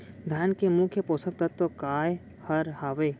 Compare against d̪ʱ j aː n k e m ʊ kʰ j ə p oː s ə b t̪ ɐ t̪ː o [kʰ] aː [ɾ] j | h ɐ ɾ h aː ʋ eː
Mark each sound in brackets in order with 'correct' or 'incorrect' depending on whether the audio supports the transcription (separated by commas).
incorrect, incorrect